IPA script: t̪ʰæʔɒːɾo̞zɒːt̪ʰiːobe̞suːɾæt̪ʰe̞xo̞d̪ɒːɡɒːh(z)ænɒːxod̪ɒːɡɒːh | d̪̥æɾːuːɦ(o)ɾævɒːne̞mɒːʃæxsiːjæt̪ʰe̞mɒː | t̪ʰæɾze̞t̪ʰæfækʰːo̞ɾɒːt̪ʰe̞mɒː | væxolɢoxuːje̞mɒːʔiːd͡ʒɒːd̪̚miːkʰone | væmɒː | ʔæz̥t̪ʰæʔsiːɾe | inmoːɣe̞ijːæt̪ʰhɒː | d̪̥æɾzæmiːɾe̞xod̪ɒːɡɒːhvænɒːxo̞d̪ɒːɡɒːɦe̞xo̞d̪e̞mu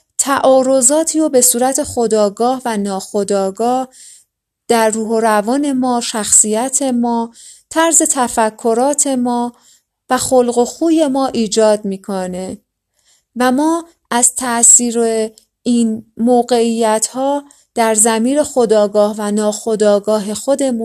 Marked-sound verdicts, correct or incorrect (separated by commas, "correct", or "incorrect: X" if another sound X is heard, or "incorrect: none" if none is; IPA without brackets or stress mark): incorrect: v, correct